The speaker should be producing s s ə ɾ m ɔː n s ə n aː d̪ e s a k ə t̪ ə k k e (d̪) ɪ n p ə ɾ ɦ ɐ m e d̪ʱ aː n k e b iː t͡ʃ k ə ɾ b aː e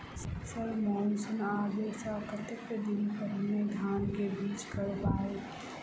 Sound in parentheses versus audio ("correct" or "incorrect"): correct